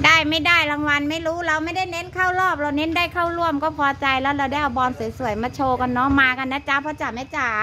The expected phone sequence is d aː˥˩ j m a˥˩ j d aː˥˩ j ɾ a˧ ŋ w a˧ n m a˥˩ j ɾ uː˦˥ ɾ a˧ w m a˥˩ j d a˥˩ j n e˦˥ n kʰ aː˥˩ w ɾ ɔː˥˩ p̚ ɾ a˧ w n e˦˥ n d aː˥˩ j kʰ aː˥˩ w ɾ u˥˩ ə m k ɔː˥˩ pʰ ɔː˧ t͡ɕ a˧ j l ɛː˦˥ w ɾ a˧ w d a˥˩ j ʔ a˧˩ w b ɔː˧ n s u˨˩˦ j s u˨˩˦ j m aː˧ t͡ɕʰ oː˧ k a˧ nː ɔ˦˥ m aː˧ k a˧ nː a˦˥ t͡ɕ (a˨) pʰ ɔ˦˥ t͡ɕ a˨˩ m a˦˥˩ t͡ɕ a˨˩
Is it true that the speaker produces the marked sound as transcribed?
no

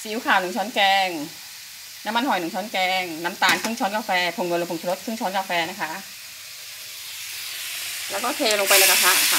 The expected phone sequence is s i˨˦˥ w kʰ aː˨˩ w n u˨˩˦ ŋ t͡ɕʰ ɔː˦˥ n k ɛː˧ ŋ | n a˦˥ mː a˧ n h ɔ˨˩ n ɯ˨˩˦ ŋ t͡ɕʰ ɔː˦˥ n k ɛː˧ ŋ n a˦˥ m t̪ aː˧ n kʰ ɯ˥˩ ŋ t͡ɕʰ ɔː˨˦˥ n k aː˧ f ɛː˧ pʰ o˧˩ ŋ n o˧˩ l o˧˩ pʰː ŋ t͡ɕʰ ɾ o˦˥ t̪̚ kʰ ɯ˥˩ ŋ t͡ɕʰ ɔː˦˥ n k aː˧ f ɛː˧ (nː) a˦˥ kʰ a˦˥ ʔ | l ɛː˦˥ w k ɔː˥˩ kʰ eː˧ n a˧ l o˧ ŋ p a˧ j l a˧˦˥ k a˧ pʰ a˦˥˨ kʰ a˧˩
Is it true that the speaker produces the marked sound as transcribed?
no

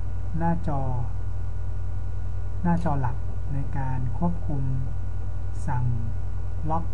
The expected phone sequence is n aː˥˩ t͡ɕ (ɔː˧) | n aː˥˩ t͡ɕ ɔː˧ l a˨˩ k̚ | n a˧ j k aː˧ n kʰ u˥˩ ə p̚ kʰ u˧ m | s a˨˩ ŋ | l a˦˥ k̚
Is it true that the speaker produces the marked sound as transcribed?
yes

